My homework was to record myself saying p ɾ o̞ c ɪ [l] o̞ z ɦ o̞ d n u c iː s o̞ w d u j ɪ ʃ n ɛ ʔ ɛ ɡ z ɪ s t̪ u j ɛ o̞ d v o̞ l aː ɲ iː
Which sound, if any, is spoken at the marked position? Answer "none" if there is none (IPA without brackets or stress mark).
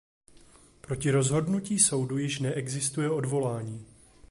ɾ